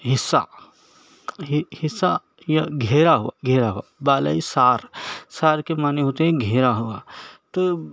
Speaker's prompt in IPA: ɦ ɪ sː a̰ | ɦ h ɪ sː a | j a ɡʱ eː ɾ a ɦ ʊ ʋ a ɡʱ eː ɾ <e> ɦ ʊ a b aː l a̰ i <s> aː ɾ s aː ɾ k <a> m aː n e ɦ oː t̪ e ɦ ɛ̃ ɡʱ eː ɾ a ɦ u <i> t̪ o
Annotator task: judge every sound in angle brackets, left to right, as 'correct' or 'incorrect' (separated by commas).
incorrect, correct, incorrect, incorrect